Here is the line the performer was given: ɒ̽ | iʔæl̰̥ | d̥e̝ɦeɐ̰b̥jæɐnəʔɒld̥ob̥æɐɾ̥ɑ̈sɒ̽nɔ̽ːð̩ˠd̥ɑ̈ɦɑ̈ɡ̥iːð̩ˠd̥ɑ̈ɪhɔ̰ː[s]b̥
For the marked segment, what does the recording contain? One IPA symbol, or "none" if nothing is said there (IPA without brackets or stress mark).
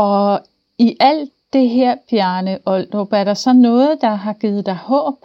none